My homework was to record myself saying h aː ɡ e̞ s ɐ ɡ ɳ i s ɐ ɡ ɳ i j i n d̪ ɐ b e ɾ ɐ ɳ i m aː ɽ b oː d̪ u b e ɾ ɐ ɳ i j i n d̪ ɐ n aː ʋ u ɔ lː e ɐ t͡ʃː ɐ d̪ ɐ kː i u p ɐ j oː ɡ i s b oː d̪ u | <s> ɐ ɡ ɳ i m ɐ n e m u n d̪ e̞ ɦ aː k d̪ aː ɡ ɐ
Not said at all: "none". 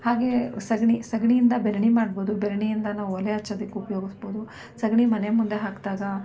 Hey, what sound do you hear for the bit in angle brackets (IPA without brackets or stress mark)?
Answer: s